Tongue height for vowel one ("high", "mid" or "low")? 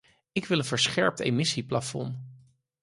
high